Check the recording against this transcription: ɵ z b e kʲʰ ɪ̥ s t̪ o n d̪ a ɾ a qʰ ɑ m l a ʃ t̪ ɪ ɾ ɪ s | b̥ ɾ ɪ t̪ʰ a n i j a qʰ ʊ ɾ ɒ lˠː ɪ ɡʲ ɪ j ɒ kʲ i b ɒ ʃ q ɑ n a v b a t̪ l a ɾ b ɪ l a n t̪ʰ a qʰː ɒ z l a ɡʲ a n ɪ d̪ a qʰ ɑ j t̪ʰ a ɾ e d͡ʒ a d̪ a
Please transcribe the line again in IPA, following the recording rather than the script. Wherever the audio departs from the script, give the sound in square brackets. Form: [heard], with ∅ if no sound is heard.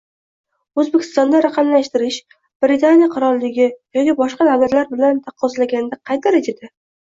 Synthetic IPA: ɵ z b e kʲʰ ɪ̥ s t̪ [ɒ] n d̪ a ɾ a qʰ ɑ m l a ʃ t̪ ɪ ɾ ɪ [ʃ] | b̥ ɾ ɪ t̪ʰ a n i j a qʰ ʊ ɾ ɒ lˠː ɪ ɡʲ ɪ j ɒ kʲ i b ɒ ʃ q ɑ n a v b a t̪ l a ɾ b ɪ l a n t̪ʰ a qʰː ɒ z l a ɡʲ a n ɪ d̪ a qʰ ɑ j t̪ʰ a ɾ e d͡ʒ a d̪ a